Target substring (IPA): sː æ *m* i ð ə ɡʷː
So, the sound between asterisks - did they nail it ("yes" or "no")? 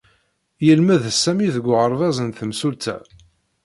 yes